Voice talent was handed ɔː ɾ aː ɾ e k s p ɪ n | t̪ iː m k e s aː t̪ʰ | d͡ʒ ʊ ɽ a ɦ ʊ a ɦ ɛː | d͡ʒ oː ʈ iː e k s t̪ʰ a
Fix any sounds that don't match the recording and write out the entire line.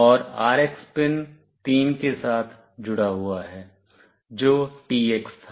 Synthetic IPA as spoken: ɔː ɾ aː ɾ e k s p ɪ n | t̪ iː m k e s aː t̪ʰ | d͡ʒ ʊ ɽ a ɦ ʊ a ɦ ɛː | d͡ʒ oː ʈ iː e k s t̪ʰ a

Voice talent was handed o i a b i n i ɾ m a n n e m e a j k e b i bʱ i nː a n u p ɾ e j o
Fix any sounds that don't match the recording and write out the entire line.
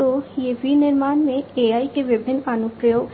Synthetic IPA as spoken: o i e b i n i ɾ m a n m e e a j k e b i bʱ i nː a n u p ɾ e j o

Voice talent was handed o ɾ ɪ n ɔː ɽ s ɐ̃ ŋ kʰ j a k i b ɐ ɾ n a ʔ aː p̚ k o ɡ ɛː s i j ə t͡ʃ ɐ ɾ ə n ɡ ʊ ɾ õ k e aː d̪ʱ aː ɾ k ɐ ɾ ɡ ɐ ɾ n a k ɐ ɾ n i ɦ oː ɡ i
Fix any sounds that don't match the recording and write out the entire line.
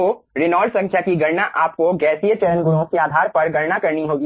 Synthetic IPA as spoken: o ɾ ɪ n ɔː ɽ s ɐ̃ ŋ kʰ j a k i ɡ ɐ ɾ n a ʔ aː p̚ k o ɡ ɛː s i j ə t͡ʃ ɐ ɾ ə n ɡ ʊ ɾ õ k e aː d̪ʱ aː ɾ p ɐ ɾ ɡ ɐ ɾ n a k ɐ ɾ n i ɦ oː ɡ i

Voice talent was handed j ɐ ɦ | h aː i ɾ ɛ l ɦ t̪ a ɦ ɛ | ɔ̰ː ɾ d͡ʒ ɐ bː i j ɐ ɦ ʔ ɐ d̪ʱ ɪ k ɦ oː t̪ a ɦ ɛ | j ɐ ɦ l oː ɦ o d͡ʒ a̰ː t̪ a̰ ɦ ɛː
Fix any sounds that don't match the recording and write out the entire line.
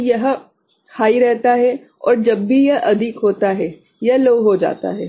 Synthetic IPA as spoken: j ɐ ɦ | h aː i ɾ ɛ ɦ t̪ a ɦ ɛ | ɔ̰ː ɾ d͡ʒ ɐ bː i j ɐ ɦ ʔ ɐ d̪ʱ ɪ k ɦ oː t̪ a ɦ ɛ | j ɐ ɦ l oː ɦ o d͡ʒ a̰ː t̪ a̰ ɦ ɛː

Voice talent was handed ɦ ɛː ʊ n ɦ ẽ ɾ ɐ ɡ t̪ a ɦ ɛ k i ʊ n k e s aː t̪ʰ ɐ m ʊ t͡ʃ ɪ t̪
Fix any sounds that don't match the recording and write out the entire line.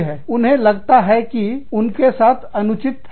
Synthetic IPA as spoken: ɦ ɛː ʊ n ɦ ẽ l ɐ ɡ t̪ a ɦ ɛ k i ʊ n k e s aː t̪ʰ ɐ n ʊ t͡ʃ ɪ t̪

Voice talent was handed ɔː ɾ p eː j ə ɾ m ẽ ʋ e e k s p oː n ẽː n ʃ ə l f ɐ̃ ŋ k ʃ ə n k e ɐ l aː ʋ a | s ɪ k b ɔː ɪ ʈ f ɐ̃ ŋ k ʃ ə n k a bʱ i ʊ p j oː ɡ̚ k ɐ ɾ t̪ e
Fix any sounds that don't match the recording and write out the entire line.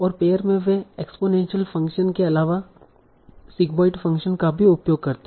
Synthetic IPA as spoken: ɔː ɾ p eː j ə ɾ m ẽ ʋ e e k s p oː n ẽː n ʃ ə l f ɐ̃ ŋ k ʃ ə n k e ɐ l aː ʋ a | s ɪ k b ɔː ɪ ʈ f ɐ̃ ŋ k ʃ ə n k a bʱ i ʊ p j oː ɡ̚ k ɐ ɾ t̪ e

